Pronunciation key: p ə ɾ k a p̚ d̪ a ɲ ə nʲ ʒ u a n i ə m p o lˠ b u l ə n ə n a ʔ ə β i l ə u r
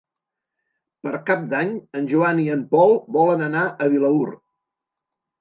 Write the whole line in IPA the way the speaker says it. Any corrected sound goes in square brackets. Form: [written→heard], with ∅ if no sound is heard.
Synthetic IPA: p ə ɾ k a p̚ d̪ a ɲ ə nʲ ʒ u a n i ə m p [o→ɔ] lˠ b [u→ɔ] l ə n ə n a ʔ ə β i l ə u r